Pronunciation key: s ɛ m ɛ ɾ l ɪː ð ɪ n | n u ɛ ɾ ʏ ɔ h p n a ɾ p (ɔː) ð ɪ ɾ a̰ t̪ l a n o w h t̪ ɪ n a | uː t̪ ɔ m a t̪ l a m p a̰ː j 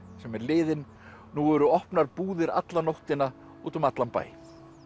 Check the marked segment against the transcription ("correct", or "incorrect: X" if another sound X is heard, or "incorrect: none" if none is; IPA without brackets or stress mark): incorrect: uː